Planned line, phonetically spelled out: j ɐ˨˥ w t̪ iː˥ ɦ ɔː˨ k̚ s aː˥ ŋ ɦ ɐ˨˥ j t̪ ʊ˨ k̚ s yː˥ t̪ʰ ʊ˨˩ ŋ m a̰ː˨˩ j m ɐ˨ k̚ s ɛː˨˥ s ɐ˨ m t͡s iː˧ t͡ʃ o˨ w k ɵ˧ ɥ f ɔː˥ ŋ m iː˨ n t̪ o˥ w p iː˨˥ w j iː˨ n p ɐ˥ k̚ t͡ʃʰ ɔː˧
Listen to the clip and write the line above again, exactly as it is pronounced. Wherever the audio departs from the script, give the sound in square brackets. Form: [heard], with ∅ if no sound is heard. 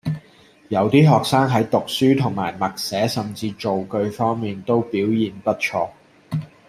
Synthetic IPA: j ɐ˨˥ w t̪ iː˥ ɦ ɔː˨ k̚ s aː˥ ŋ ɦ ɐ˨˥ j t̪ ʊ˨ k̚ s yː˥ t̪ʰ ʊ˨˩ ŋ m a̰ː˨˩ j m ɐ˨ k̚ s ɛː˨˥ s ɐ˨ m t͡s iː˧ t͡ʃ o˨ w k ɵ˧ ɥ f ɔː˥ ŋ m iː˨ n t̪ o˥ w p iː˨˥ w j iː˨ n p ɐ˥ [t̚] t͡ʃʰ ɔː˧